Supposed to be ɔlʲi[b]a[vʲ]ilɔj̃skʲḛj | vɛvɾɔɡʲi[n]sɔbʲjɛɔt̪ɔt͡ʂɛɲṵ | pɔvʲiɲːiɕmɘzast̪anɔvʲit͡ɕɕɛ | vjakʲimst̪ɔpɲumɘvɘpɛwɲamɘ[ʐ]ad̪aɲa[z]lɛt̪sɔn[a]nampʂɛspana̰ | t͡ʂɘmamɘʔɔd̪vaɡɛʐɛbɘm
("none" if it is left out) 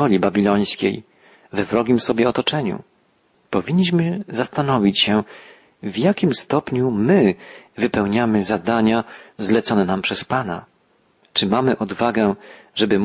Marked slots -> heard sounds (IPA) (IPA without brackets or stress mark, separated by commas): b, bʲ, m, z, z, ɛ